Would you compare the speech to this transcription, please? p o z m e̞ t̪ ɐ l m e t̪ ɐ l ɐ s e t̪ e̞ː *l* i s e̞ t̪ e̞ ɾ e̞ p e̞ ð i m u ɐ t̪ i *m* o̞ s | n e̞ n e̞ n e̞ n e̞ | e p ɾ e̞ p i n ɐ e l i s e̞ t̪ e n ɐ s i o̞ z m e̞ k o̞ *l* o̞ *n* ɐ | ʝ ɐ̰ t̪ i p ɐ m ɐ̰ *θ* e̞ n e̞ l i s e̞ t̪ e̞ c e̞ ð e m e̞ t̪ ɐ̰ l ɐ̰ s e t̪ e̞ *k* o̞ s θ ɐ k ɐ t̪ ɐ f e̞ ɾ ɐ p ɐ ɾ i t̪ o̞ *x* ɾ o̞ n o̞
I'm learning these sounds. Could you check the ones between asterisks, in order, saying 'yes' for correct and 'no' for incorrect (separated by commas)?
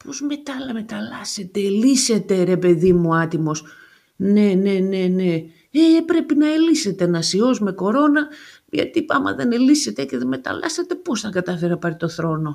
yes, yes, no, yes, no, no, no